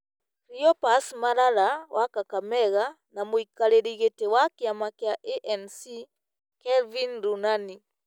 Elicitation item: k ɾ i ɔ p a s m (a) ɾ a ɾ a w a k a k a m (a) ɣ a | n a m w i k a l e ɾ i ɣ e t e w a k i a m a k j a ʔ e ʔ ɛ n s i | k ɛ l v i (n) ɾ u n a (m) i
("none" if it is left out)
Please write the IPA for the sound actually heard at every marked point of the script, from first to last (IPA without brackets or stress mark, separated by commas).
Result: a, ɛ, n, n